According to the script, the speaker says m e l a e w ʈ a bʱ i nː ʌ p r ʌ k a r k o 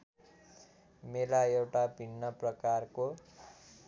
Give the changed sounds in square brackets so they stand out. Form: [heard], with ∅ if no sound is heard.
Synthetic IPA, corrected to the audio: m e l a e w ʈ a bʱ i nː ʌ p r ʌ k a r k o